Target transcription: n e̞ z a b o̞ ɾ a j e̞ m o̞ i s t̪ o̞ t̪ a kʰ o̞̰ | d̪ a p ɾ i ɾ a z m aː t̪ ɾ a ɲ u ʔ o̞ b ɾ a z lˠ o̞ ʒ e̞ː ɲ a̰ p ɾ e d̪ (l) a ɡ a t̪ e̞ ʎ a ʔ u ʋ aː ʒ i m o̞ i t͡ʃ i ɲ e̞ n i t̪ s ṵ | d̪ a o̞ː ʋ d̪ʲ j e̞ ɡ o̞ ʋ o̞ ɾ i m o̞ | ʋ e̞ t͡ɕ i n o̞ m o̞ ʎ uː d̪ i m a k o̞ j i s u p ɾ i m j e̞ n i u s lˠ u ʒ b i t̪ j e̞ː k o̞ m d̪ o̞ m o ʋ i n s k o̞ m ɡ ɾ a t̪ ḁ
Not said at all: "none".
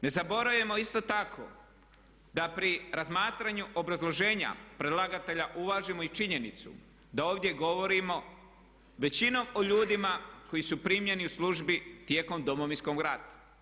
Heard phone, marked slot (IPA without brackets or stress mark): l